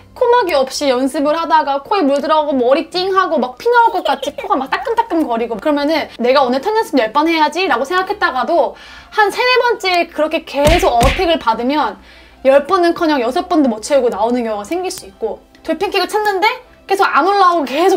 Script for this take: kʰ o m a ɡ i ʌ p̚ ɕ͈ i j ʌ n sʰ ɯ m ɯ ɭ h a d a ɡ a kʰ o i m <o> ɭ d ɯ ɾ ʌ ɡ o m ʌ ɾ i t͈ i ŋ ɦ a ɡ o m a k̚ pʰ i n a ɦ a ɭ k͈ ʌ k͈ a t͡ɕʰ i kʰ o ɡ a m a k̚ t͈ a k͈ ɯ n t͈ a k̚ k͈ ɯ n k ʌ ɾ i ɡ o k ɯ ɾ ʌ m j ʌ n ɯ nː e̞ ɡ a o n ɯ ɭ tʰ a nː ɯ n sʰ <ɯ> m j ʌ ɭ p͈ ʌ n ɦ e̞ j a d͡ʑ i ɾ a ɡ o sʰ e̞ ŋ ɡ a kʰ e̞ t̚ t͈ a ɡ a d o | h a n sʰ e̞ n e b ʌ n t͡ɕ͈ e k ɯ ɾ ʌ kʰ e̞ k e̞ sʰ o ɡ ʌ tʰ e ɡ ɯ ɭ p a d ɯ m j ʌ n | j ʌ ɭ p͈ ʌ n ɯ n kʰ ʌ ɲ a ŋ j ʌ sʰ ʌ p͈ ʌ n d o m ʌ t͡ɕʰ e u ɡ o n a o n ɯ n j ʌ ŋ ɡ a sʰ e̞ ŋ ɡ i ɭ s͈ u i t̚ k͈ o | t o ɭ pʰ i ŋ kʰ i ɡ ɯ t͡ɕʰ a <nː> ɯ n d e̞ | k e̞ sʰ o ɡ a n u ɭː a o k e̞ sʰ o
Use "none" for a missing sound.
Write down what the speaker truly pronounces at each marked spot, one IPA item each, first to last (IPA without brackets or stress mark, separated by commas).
u, ɯ, nː